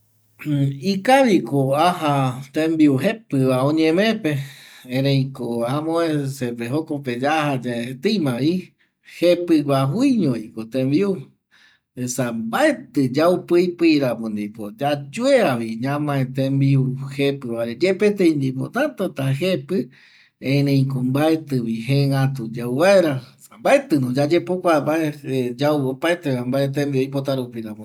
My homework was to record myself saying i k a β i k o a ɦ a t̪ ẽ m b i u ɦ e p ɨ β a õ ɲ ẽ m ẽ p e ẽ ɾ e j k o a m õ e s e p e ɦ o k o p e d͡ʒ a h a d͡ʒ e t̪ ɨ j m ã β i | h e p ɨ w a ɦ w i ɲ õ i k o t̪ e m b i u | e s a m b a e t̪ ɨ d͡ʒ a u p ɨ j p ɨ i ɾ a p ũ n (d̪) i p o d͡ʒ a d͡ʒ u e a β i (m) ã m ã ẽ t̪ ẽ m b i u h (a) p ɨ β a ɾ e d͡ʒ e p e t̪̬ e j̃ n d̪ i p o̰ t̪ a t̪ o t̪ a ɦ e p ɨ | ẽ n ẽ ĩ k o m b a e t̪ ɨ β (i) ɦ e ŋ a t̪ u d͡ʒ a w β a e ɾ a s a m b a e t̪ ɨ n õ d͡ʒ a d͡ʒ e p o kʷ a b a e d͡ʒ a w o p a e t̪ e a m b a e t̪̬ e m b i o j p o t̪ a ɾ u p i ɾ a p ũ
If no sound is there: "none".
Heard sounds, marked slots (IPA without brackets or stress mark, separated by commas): d̪, ɲ, e, i